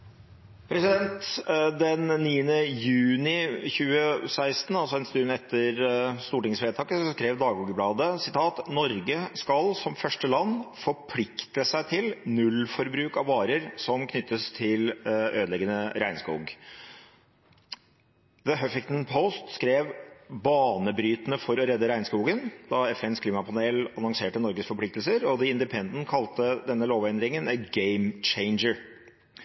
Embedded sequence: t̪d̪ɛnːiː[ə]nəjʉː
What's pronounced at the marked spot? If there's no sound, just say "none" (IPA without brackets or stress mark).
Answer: ə